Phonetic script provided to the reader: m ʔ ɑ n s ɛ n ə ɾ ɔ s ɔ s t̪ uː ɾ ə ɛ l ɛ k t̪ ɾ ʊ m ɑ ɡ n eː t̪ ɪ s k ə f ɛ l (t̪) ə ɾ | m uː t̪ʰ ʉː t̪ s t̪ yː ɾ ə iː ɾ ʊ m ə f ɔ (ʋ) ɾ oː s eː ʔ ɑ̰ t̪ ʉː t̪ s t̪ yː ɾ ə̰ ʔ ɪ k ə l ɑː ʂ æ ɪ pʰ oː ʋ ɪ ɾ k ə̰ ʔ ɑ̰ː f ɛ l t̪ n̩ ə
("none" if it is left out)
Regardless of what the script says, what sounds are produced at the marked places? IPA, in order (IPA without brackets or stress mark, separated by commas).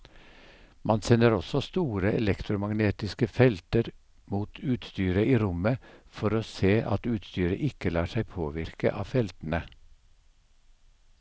t̪, none